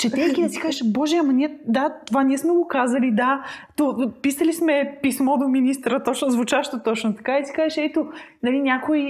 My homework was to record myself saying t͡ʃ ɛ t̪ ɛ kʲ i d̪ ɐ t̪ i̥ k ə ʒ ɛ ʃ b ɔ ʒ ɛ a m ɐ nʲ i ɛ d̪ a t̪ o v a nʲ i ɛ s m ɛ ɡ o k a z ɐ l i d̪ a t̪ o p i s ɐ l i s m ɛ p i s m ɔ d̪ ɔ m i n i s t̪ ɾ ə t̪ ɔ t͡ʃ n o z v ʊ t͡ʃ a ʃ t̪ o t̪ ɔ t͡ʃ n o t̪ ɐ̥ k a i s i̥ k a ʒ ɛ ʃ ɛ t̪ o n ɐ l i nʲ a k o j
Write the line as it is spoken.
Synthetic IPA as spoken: t͡ʃ ɛ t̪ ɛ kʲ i d̪ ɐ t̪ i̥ k a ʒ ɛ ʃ b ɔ ʒ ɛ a m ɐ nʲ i ɛ d̪ a t̪ o v a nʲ i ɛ s m ɛ ɡ o k a z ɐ l i d̪ a t̪ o p i s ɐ l i s m ɛ p i s m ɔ d̪ o m i n i s t̪ ɾ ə t̪ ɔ t͡ʃ n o z v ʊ t͡ʃ a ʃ t̪ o t̪ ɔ t͡ʃ n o t̪ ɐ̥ k a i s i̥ k a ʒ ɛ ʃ ɛ t̪ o n ɐ l i nʲ a k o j